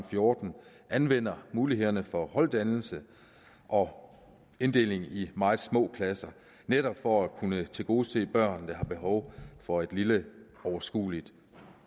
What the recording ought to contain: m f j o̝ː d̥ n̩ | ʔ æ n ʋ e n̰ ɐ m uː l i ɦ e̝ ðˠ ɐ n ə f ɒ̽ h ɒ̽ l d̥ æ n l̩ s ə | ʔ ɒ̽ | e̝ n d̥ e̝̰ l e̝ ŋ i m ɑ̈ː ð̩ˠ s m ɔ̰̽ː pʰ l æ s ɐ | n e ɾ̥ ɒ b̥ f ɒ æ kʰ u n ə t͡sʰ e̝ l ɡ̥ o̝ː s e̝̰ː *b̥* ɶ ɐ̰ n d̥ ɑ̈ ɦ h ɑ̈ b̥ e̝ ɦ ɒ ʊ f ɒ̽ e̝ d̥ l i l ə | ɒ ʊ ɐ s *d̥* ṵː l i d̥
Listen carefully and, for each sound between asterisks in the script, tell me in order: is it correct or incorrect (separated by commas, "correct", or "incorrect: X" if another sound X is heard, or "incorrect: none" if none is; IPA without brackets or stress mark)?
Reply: correct, incorrect: ɡ̥